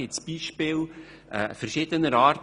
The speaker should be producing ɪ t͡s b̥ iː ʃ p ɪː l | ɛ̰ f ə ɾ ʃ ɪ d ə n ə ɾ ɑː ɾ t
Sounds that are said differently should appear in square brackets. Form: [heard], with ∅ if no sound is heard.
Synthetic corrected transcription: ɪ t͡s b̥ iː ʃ p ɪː l | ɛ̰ f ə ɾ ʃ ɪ d ə n ə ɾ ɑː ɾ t